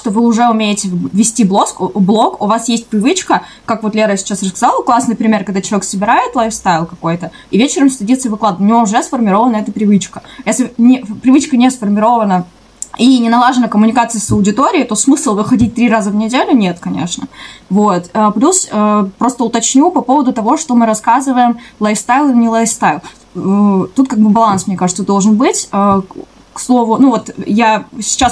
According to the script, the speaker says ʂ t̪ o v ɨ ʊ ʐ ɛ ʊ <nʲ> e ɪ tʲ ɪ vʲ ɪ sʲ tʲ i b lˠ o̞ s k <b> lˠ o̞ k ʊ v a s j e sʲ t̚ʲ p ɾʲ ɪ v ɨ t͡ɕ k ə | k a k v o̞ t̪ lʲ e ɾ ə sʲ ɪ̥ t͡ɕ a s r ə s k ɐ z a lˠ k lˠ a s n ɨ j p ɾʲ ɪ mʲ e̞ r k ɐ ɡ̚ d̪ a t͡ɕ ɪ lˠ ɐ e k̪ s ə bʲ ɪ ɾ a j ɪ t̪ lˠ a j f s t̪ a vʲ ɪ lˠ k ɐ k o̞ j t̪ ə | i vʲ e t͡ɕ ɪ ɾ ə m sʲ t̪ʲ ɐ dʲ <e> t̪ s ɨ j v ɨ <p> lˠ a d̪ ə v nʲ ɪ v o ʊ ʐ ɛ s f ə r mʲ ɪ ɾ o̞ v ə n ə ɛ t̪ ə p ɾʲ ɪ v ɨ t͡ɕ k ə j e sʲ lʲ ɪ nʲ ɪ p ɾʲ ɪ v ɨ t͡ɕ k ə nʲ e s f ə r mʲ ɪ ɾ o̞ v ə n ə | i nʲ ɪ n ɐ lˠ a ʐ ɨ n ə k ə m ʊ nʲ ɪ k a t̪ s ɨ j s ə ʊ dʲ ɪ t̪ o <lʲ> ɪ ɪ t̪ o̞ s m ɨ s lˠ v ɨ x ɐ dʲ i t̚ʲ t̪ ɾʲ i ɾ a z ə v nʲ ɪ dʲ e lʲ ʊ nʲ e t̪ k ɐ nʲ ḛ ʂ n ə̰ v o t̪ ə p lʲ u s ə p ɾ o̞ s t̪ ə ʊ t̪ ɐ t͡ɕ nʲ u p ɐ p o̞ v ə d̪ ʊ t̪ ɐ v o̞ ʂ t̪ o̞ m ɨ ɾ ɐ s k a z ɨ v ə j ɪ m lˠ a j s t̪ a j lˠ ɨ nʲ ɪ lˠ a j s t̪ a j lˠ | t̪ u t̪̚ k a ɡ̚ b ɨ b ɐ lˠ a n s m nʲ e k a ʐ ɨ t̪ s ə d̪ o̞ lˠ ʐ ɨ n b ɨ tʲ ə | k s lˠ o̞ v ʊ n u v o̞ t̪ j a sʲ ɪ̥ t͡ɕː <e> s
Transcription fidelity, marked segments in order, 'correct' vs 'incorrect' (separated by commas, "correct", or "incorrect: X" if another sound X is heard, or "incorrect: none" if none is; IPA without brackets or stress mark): incorrect: mʲ, correct, incorrect: i, incorrect: k, incorrect: ɾʲ, incorrect: a